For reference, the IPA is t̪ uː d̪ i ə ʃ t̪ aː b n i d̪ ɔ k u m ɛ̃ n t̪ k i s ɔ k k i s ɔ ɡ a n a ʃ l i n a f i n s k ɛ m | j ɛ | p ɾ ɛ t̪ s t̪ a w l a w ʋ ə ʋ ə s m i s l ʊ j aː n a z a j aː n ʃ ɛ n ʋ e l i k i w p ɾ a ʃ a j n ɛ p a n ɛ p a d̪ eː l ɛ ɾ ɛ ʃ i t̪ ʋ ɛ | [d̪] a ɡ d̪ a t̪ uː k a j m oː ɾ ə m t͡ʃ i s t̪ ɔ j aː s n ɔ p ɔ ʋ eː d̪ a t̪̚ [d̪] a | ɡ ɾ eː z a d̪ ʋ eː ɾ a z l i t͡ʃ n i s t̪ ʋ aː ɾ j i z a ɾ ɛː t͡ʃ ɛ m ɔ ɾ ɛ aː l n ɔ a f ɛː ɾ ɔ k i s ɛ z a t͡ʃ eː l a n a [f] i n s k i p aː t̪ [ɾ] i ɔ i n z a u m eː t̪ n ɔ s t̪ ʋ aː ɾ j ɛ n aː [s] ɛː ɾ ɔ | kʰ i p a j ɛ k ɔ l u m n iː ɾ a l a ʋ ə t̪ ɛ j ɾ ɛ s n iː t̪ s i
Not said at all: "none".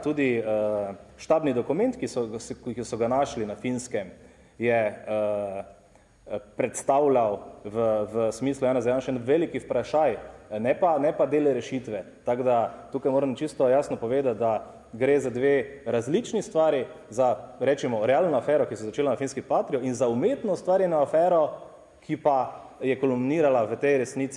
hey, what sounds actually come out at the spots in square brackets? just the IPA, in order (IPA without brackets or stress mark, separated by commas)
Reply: t̪, d̪, f, ɾ, f